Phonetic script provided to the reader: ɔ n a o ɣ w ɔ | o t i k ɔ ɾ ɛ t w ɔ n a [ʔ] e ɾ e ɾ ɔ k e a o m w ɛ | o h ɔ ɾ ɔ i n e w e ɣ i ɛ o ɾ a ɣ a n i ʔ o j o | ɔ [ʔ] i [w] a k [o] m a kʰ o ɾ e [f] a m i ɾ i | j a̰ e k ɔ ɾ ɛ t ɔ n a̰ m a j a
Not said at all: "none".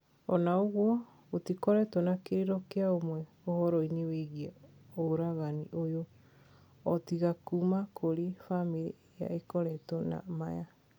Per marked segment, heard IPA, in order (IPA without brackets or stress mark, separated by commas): k, t, ɣ, u, f